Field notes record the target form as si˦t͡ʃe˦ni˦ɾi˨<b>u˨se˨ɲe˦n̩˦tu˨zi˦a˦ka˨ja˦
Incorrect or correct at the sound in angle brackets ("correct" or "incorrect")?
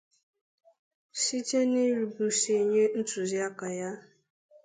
correct